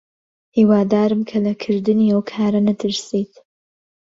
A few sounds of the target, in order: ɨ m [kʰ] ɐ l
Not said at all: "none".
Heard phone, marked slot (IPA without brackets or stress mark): kʰ